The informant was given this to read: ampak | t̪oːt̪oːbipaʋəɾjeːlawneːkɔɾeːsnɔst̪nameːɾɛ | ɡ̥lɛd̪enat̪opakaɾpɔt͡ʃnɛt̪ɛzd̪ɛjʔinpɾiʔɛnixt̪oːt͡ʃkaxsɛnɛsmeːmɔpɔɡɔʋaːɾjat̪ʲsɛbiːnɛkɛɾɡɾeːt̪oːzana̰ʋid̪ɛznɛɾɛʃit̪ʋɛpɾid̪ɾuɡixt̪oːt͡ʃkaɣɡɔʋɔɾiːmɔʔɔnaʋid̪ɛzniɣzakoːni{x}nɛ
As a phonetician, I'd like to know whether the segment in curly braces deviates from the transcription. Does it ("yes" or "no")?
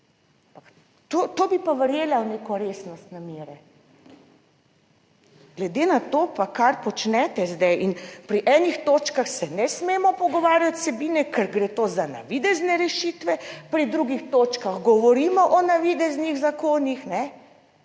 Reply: no